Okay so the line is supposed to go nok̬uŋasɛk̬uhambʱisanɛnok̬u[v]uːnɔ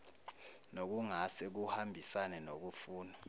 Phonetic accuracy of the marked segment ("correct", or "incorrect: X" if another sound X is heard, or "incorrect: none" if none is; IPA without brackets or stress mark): incorrect: f